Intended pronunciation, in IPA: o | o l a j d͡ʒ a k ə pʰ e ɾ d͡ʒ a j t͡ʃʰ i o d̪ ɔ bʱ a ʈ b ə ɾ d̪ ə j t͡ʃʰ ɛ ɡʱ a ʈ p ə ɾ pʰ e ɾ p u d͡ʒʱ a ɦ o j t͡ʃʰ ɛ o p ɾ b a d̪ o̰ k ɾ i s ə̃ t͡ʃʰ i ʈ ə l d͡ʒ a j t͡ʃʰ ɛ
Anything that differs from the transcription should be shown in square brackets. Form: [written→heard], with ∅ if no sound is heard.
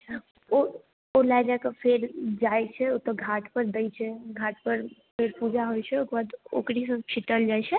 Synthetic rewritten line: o | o l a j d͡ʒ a k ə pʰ e ɾ d͡ʒ a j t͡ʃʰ [i→ɛ] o [d̪→t̪] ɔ [bʱ→ɡʱ] a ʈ [b→p] ə ɾ d̪ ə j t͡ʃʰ ɛ ɡʱ a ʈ p ə ɾ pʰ e ɾ p u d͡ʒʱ a ɦ o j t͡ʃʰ ɛ o [p→k] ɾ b a d̪ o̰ k ɾ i s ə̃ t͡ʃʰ i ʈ ə l d͡ʒ a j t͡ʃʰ ɛ